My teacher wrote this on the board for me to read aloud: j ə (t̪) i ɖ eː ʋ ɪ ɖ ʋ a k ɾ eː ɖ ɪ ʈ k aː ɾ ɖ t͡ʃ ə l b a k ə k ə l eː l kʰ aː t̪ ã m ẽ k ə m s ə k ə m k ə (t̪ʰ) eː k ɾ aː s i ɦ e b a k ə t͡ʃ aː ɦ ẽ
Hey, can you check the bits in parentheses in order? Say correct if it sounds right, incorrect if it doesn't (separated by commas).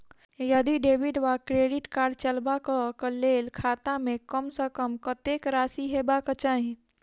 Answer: incorrect, incorrect